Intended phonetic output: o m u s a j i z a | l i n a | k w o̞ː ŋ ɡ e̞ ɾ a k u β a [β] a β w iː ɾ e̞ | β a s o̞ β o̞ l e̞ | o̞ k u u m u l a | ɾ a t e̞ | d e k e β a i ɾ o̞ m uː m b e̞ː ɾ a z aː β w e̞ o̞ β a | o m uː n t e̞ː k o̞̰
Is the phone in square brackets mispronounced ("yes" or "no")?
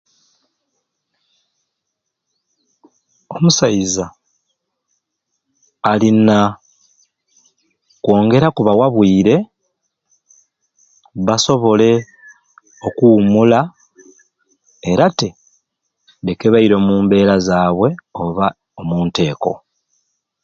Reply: yes